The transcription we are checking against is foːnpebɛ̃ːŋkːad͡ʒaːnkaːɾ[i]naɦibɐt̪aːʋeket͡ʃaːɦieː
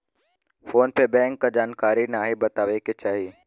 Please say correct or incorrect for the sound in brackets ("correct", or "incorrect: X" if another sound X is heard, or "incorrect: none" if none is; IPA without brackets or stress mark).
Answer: correct